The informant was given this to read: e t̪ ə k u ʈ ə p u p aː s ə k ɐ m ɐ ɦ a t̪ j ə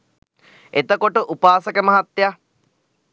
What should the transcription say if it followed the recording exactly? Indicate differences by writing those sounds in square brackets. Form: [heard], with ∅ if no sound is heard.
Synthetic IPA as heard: e t̪ ə k [o] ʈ ə [ʔ] u p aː s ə k [ə] m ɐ ɦ a t̪ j [a]

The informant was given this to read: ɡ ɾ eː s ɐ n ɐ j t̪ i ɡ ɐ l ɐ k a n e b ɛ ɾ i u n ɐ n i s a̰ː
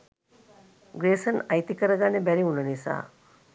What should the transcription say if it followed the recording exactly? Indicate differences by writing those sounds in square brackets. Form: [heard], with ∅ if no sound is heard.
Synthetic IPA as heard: ɡ ɾ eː s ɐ n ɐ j t̪ i [k] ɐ [ɾ] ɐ [ɡ] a n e b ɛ ɾ i u n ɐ n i s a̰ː

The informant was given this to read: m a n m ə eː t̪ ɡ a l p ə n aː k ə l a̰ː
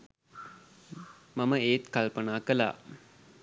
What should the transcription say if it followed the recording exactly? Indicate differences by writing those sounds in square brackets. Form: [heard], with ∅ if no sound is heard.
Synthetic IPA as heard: m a [∅] m ə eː t̪ [k] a l p ə n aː k ə l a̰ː

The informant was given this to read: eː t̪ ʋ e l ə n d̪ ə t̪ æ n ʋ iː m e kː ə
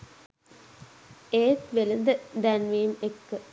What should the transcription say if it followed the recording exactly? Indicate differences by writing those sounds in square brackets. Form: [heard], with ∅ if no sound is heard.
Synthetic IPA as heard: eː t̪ ʋ e l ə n d̪ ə [d̪] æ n ʋ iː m e kː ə

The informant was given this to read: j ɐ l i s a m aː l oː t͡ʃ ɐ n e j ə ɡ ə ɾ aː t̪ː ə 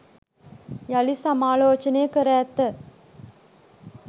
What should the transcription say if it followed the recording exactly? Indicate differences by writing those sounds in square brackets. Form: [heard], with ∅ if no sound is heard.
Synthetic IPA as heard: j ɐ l i s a m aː l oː t͡ʃ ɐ n e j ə [k] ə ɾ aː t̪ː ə

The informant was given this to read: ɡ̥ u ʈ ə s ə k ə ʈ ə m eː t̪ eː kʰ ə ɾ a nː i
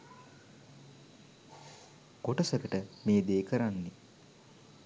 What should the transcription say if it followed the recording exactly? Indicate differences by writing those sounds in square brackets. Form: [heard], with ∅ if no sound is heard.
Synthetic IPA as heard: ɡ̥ [o] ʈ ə s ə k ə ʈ ə m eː [d̪] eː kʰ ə ɾ a nː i

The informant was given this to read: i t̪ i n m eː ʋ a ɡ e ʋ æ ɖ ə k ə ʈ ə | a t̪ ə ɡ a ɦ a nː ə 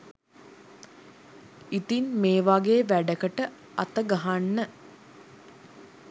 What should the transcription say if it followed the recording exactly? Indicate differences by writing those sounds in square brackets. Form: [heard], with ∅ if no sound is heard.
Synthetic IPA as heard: i t̪ i n m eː ʋ a ɡ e ʋ æ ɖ ə k ə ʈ ə | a t̪ ə ɡ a ɦ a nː ə

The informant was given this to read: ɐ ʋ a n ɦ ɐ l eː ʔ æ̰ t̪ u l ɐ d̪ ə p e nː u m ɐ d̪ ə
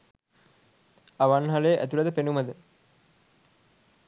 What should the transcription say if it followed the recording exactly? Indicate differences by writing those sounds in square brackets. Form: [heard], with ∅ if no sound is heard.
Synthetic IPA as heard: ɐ ʋ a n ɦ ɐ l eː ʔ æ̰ t̪ u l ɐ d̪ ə p e [n] u m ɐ d̪ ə

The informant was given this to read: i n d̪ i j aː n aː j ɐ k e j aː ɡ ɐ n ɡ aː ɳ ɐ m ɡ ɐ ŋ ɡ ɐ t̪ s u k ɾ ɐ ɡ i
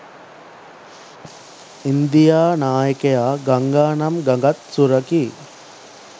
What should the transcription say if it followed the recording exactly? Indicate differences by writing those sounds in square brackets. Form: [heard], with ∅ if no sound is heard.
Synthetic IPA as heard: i n d̪ i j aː n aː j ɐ k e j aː ɡ ɐ [ŋ] ɡ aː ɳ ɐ m ɡ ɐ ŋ ɡ ɐ t̪ s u [∅] ɾ ɐ [k] i

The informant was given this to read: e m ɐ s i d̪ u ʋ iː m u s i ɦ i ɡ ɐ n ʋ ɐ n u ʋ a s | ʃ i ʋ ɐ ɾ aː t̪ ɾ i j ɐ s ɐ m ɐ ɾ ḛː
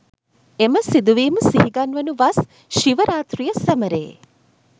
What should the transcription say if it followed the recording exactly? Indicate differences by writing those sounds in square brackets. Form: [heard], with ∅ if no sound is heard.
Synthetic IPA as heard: e m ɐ s i d̪ u ʋ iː m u s i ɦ i ɡ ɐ n ʋ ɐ n u ʋ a s | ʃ i ʋ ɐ ɾ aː t̪ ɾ i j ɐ s ɐ m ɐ ɾ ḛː

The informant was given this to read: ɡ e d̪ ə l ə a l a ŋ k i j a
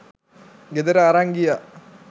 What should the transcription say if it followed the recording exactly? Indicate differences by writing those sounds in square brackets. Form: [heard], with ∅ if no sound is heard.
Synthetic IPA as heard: ɡ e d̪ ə [ɾ] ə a [ɾ] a ŋ [ɡ] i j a

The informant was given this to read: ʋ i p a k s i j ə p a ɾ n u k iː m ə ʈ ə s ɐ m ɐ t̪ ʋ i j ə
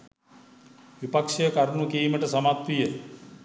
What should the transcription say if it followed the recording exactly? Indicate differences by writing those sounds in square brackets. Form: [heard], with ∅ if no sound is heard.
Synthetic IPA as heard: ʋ i p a k [ʂ] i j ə [k] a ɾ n u k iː m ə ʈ ə s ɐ m [a] t̪ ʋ i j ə

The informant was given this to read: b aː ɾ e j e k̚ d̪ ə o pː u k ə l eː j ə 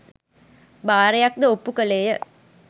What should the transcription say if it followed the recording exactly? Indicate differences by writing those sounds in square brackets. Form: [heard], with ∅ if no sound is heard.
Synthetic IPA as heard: b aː ɾ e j [a] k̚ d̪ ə o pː u k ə l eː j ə

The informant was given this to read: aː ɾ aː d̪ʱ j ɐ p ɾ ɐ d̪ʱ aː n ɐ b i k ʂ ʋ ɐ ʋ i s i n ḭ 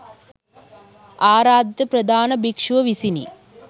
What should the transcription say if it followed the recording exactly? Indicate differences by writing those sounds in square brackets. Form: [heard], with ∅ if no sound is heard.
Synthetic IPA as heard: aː ɾ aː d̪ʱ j ɐ p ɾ ɐ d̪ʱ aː n ɐ b i k ʂ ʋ ɐ ʋ i s i n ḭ

